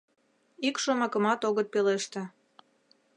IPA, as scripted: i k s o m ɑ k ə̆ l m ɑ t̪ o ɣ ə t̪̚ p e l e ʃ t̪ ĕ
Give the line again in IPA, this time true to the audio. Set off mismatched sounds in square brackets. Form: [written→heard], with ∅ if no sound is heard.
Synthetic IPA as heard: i k [s→ʃ] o m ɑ k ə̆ [l→∅] m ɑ t̪ o ɣ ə t̪̚ p e l e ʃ t̪ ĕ